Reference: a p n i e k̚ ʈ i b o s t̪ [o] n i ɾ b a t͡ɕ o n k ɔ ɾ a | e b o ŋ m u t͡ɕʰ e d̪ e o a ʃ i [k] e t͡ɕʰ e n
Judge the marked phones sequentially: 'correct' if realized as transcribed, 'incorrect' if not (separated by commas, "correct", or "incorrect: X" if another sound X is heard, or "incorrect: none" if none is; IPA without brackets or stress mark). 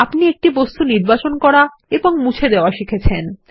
incorrect: u, incorrect: kʰ